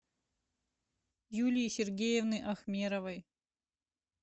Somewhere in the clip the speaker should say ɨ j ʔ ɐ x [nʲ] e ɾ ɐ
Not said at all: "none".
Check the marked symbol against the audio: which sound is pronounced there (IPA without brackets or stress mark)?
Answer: mʲ